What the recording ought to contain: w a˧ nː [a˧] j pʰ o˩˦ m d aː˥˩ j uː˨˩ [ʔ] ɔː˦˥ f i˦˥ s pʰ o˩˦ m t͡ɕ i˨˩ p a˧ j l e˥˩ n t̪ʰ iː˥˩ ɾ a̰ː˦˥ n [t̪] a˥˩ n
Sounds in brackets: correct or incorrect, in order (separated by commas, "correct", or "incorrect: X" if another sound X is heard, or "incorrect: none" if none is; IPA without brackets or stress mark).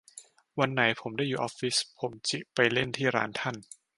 incorrect: a˩˦, correct, incorrect: t̪ʰ